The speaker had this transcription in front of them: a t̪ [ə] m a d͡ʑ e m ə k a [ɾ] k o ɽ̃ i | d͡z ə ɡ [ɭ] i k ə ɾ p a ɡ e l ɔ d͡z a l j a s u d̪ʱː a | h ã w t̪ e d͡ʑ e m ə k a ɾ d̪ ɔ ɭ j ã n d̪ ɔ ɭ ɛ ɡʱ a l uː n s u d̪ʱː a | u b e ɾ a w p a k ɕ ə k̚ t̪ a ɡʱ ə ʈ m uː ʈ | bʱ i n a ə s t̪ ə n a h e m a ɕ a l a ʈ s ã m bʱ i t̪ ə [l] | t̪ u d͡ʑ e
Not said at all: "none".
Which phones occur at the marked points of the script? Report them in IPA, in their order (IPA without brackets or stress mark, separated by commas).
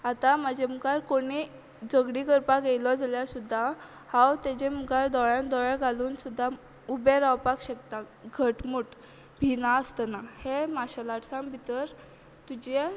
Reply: a, ɾ, ɽ, ɾ